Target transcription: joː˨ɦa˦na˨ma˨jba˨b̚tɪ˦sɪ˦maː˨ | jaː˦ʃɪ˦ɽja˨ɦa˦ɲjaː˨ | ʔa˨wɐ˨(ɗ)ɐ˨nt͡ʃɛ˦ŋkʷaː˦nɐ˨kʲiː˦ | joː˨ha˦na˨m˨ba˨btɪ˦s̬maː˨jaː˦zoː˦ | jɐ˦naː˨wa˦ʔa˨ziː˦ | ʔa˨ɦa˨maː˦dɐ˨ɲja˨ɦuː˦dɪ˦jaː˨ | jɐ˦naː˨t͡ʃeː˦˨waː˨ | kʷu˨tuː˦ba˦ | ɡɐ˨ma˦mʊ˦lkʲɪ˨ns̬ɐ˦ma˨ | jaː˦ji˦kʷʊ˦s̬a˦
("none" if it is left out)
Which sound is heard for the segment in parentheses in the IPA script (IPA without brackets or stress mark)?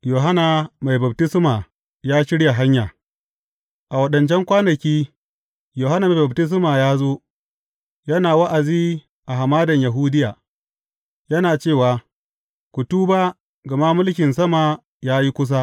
ɗ